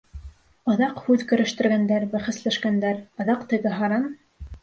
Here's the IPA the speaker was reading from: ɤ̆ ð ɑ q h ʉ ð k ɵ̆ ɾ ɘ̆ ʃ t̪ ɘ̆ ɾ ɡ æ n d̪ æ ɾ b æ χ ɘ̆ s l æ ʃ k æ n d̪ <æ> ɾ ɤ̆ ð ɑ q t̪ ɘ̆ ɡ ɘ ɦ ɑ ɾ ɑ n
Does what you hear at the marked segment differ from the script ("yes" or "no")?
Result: no